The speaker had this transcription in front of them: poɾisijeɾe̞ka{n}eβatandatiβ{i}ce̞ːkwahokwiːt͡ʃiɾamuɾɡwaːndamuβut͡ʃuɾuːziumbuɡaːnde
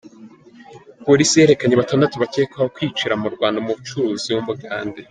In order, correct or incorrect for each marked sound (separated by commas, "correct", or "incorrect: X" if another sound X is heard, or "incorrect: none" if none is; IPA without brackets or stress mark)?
incorrect: ɲ, incorrect: a